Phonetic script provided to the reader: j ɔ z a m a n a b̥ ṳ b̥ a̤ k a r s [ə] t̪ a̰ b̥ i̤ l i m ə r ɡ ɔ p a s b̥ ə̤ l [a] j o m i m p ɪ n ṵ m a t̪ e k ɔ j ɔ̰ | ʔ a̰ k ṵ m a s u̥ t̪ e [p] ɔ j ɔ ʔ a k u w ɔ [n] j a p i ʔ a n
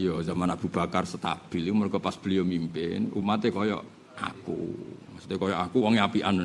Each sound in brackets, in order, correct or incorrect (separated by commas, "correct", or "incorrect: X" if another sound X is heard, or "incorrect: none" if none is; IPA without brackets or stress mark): correct, incorrect: i, incorrect: k, incorrect: ŋ